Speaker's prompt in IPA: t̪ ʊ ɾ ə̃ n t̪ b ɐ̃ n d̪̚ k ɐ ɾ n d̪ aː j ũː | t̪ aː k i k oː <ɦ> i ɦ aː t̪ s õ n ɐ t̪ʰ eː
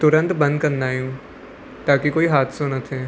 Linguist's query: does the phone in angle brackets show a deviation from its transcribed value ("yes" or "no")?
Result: yes